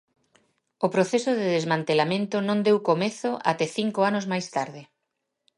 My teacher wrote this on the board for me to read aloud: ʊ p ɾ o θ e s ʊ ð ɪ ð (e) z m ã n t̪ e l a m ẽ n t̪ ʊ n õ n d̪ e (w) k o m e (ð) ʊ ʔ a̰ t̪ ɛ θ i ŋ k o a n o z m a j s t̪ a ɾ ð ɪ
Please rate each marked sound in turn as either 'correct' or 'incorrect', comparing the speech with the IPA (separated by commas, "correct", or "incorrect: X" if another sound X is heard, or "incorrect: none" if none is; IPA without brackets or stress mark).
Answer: correct, correct, incorrect: θ